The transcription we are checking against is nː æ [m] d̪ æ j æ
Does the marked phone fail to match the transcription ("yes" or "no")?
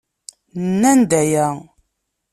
yes